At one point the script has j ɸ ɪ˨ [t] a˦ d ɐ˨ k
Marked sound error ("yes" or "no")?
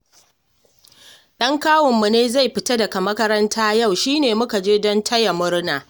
no